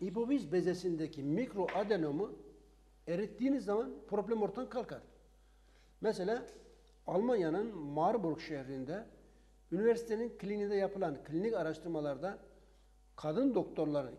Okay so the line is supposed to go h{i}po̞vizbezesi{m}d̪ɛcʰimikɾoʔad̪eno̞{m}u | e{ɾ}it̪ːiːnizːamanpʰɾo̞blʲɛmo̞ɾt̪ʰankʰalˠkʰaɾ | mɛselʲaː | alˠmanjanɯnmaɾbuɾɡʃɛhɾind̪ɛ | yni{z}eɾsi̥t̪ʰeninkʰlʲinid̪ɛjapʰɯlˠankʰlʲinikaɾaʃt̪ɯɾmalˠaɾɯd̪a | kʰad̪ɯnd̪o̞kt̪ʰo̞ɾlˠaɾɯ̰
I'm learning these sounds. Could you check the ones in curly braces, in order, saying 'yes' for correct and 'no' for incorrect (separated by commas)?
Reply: yes, no, yes, yes, no